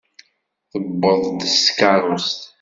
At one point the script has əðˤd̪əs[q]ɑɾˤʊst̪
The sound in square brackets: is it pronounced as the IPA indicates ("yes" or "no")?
no